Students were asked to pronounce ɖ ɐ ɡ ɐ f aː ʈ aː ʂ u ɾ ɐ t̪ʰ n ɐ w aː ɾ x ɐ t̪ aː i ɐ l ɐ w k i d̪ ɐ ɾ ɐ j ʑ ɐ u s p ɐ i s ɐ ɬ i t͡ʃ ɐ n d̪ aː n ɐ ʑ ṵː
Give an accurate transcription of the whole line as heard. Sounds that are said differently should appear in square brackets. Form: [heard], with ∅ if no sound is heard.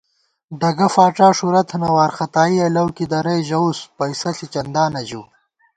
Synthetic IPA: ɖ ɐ ɡ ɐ f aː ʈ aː ʂ u ɾ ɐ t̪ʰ n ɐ w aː ɾ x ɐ t̪ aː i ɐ l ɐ w k i d̪ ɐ ɾ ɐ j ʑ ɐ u s p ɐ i s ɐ ɬ i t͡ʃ ɐ n d̪ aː n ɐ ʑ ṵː